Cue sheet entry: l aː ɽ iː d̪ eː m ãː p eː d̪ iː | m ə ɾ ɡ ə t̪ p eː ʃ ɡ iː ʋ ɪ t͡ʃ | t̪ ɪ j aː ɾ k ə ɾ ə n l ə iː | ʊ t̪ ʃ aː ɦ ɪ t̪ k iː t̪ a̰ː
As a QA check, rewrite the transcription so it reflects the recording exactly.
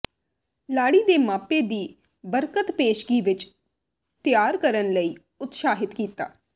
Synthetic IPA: l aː ɽ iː d̪ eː m aː p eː d̪ iː | b ə ɾ k ə t̪ p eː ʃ ɡ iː ʋ ɪ t͡ʃ | t̪ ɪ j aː ɾ k ə ɾ ə n l ə iː | ʊ t̪ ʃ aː ɦ ɪ t̪ k iː t̪ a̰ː